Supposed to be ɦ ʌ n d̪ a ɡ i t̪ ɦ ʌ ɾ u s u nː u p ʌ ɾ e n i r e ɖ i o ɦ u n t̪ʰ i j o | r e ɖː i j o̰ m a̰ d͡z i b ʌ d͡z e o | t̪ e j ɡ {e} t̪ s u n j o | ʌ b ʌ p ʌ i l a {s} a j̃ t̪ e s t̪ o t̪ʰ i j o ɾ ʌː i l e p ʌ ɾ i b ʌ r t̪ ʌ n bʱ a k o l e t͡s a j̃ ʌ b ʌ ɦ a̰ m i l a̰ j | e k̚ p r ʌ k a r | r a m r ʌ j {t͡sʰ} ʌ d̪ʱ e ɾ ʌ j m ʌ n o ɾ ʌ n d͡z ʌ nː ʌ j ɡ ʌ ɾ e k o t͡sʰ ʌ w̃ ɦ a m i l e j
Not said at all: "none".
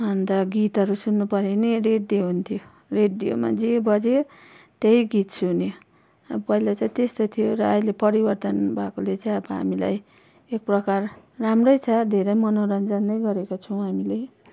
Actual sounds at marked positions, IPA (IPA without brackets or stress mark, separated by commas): i, t͡s, t͡sʰ